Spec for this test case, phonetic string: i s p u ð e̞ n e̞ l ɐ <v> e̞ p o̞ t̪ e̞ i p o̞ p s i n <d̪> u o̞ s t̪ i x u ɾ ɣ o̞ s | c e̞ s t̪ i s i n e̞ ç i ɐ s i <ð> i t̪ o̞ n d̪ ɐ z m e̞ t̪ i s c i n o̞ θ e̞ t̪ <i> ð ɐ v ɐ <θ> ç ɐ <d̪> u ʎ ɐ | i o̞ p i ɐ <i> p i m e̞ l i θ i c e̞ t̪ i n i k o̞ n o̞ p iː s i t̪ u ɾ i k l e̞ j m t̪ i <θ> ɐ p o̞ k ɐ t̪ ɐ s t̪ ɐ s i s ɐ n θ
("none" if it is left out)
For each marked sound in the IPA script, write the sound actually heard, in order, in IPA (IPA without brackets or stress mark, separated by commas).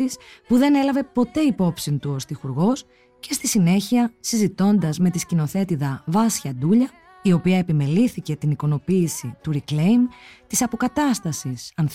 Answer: v, t̪, z, i, s, d̪, e, s